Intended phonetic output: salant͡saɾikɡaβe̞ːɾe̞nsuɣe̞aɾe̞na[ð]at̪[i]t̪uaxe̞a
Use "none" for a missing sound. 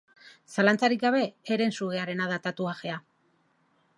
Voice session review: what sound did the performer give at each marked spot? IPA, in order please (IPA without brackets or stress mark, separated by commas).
ð, a